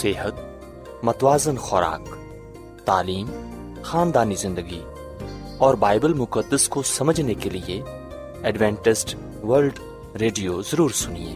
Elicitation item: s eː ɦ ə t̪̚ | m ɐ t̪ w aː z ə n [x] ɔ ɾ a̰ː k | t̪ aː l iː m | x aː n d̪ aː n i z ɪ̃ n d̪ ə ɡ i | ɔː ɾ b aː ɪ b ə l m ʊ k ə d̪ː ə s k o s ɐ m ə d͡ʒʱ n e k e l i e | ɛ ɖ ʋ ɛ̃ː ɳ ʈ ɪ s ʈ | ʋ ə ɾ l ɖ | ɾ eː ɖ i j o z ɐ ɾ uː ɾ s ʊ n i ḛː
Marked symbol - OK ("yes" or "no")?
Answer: yes